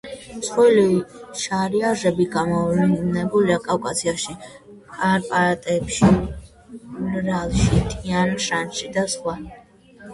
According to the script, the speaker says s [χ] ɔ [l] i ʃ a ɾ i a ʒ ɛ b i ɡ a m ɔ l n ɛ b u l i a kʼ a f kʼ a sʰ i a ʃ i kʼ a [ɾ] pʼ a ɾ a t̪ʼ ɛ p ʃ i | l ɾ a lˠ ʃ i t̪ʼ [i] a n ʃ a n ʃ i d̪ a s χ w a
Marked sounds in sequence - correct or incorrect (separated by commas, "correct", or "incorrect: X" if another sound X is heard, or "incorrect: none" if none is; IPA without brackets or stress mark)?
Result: correct, correct, correct, correct